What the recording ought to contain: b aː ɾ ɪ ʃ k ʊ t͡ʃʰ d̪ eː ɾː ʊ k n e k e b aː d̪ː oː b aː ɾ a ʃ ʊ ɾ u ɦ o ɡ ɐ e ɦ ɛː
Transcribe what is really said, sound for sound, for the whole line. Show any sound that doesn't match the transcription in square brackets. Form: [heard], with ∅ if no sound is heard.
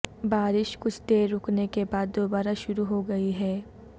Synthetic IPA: b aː ɾ ɪ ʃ k ʊ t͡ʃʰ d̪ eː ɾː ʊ k n e k e b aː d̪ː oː b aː ɾ a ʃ ʊ ɾ u ɦ o ɡ ɐ [i] ɦ ɛː

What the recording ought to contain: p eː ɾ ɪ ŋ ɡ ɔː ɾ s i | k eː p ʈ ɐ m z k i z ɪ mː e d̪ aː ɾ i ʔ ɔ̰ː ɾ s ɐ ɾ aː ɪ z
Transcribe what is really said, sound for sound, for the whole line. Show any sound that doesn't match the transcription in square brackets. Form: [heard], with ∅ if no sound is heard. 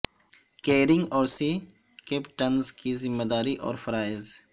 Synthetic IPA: [k] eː ɾ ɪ ŋ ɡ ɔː ɾ s i | k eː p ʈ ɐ [n] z k i z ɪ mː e d̪ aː ɾ i ʔ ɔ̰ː ɾ [f] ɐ ɾ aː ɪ z

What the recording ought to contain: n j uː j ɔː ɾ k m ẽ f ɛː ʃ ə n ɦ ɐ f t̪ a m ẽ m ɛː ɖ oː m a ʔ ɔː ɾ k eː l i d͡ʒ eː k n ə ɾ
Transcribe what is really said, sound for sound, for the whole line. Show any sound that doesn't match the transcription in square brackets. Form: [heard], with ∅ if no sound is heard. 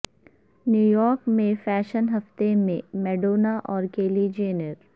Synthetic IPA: n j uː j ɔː ɾ k m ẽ f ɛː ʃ ə n ɦ ɐ f t̪ [e] m ẽ m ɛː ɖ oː [n] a ʔ ɔː ɾ k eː l i d͡ʒ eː [∅] n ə ɾ

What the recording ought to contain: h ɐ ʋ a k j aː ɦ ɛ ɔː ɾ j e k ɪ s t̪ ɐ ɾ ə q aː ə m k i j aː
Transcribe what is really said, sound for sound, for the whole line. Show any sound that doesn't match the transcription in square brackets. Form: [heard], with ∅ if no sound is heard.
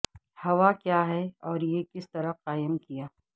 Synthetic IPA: h ɐ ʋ a k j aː ɦ ɛ ɔː ɾ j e k ɪ s t̪ ɐ ɾ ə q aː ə m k i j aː

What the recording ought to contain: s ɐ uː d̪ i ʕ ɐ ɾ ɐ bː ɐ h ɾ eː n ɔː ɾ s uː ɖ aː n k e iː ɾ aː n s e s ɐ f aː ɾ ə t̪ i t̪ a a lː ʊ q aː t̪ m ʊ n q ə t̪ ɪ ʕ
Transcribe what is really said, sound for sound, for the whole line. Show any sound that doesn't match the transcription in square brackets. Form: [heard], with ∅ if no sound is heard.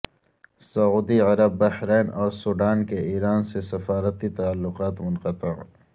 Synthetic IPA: s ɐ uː d̪ i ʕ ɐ ɾ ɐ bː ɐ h ɾ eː n ɔː ɾ s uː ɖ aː n k e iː ɾ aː n s e s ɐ f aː ɾ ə t̪ i t̪ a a lː ʊ q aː t̪ m ʊ n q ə t̪ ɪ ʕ

